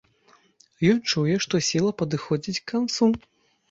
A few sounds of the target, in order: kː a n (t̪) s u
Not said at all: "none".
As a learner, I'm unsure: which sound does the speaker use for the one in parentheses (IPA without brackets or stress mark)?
t̪